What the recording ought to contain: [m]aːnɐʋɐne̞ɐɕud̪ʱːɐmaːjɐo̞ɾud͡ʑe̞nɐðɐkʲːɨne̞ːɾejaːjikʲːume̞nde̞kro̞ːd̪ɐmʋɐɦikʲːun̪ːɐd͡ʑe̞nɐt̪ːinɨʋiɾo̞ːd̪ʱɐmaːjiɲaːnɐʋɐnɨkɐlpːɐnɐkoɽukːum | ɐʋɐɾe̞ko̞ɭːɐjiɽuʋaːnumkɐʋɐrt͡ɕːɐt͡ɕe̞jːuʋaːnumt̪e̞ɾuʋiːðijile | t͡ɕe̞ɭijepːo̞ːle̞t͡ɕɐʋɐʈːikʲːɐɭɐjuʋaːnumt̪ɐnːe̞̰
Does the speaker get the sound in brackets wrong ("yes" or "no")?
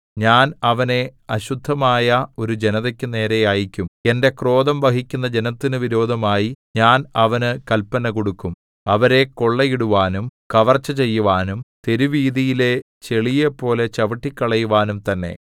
yes